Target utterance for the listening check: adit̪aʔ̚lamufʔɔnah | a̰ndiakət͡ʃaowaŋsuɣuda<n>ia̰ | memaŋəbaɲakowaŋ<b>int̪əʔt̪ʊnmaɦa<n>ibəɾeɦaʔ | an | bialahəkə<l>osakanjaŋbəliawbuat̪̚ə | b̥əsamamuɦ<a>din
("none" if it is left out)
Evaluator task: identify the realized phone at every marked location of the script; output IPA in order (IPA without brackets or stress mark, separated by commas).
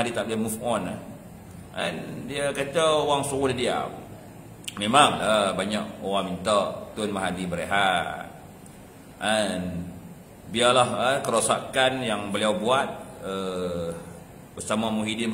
d, m, d, ɾ, i